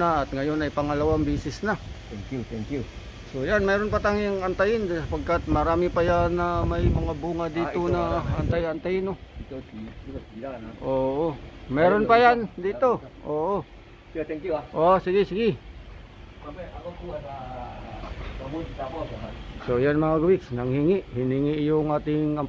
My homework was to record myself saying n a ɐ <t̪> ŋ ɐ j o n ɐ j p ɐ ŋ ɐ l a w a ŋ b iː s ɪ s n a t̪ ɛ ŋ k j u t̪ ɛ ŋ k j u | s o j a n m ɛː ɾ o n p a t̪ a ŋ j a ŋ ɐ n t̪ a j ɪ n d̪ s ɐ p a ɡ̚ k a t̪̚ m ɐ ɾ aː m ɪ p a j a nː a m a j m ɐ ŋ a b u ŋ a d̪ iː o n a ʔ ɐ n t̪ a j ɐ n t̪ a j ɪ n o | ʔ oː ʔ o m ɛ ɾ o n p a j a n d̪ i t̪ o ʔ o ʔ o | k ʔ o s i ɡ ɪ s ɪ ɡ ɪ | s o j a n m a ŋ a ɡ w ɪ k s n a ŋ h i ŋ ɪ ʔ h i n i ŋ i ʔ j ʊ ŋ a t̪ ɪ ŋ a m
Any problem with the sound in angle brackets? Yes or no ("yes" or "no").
no